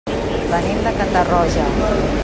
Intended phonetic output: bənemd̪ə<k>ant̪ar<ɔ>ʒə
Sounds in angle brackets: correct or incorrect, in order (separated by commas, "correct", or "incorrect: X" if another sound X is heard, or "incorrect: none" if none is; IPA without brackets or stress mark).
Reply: correct, correct